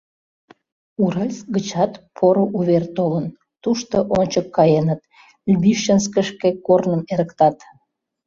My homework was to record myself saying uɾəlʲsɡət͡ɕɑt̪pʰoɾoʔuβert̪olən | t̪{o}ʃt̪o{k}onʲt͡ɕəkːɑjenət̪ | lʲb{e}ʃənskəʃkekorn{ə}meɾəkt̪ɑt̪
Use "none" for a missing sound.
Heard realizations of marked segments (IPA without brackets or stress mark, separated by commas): u, ʔ, i, ə